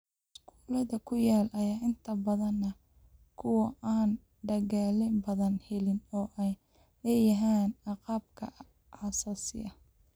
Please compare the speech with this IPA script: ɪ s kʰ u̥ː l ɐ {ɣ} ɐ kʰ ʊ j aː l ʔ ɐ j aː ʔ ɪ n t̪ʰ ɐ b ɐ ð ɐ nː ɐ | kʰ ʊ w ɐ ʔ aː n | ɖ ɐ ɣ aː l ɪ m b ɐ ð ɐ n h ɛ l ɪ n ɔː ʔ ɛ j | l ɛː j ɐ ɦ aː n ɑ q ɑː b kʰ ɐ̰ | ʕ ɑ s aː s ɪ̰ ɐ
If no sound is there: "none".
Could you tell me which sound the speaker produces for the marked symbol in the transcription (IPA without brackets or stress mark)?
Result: ð